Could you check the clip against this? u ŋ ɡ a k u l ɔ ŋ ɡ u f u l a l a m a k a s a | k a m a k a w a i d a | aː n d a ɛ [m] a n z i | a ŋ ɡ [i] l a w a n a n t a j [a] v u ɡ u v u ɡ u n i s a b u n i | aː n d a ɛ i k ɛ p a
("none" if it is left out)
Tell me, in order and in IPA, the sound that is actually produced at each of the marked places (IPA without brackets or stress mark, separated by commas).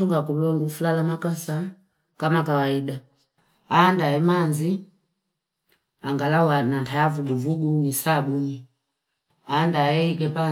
m, a, a